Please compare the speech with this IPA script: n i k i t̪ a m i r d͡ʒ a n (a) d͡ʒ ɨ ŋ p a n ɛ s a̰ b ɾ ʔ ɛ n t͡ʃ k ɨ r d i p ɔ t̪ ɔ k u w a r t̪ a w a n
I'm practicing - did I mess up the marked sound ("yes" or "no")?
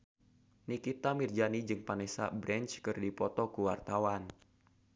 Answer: yes